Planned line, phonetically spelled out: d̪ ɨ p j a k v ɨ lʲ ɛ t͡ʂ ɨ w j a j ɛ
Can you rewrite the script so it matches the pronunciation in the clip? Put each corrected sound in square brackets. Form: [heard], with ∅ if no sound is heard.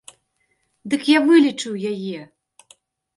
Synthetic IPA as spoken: d̪ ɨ [k] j a [∅] v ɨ lʲ [i] t͡ʂ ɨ w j a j ɛ